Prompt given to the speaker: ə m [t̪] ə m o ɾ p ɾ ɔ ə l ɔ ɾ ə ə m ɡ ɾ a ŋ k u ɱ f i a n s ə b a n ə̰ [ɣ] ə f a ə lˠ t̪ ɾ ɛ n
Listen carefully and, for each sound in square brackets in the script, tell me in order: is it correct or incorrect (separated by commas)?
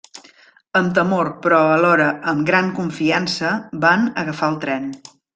correct, correct